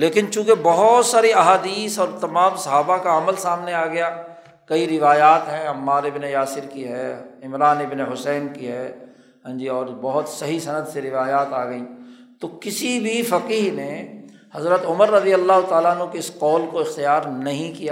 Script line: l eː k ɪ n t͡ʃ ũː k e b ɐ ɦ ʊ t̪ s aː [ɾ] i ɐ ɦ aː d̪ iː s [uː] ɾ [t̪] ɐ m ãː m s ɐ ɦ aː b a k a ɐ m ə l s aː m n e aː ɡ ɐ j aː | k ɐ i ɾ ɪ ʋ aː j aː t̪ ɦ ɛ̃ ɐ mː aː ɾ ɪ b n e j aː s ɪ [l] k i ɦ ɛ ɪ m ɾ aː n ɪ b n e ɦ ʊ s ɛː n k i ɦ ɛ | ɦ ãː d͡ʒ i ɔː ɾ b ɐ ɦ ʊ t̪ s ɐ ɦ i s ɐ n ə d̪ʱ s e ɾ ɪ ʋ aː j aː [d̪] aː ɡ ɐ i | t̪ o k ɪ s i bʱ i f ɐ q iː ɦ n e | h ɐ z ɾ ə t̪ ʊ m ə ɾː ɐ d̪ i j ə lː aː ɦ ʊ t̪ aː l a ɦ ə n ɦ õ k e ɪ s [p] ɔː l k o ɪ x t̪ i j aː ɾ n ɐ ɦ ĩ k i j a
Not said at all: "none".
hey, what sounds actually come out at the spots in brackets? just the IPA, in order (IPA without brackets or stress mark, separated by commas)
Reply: ɾ, ɔː, t̪, ɾ, t̪, q